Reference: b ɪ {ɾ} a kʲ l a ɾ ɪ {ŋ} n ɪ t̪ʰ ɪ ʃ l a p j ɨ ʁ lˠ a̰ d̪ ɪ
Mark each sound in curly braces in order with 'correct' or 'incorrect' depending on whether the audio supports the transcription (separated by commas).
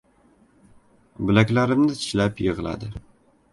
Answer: incorrect, incorrect